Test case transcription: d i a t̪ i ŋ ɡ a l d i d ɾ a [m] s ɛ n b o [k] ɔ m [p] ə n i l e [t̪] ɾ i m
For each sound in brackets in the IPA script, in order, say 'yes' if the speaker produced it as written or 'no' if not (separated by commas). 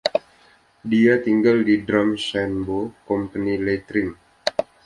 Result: yes, yes, yes, yes